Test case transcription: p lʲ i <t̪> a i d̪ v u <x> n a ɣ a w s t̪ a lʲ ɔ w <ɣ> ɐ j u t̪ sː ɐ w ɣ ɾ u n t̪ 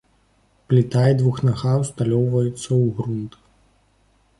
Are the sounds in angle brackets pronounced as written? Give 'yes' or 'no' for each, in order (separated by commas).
yes, yes, no